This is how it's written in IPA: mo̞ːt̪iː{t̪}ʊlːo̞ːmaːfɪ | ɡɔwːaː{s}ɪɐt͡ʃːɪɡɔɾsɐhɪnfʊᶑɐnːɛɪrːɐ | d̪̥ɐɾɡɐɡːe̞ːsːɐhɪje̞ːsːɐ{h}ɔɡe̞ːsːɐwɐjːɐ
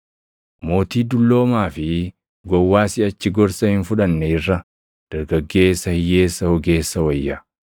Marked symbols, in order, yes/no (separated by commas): no, yes, yes